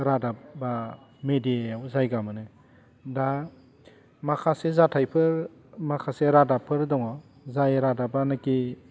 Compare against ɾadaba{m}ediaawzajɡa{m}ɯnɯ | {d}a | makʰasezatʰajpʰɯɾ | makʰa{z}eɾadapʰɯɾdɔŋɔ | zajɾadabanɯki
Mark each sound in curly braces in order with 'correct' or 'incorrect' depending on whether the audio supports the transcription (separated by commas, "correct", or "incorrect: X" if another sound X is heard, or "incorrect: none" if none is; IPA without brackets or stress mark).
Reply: correct, correct, correct, incorrect: s